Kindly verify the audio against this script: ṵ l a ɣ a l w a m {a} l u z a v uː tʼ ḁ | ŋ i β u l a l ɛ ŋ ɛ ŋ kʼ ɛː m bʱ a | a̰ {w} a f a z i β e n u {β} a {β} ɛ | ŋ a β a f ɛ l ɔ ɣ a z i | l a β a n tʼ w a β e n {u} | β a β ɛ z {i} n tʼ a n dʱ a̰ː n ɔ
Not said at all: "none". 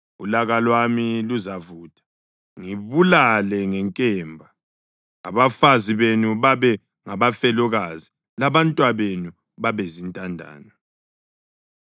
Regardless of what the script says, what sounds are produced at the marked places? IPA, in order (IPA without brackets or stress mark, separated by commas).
i, β, β, β, u, i